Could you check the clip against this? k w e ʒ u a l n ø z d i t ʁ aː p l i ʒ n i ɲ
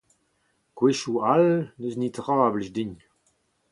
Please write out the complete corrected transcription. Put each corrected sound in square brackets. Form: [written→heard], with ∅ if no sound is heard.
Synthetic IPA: k w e [ʒ→ʃ] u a l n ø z [d→n] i t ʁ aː [p→b] l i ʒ [n→d] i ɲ